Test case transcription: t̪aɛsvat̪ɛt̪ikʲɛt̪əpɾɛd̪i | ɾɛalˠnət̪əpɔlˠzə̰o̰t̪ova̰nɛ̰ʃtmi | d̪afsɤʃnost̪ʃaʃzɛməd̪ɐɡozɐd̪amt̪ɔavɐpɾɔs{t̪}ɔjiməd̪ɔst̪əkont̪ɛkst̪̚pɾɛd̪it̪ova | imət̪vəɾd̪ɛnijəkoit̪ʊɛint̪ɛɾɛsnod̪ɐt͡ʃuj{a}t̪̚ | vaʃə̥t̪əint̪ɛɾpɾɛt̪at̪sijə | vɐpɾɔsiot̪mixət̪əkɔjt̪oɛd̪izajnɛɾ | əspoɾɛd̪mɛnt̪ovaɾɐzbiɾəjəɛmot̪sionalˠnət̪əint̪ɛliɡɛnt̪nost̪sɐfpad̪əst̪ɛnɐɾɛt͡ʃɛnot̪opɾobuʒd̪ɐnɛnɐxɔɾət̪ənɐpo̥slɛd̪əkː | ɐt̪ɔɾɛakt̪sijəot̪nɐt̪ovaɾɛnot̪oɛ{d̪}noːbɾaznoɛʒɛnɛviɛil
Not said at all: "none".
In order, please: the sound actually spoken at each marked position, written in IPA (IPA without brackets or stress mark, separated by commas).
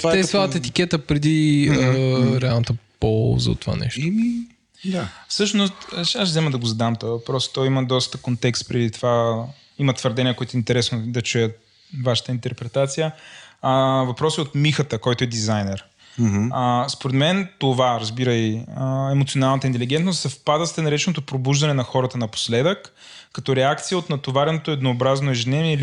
t̪, ə, d̪